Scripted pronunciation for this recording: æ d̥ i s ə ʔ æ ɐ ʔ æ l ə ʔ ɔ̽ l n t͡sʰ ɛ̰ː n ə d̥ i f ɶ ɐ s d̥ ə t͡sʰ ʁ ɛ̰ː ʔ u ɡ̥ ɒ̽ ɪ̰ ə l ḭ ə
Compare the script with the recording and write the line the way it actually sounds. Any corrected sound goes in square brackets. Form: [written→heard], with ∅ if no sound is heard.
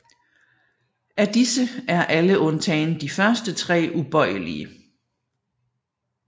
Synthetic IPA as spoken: æ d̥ i s ə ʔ æ ɐ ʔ æ l ə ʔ ɔ̽ [l→∅] n t͡sʰ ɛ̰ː n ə d̥ i f ɶ ɐ s d̥ ə t͡sʰ ʁ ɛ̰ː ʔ u [ɡ̥→b̥] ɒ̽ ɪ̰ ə l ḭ ə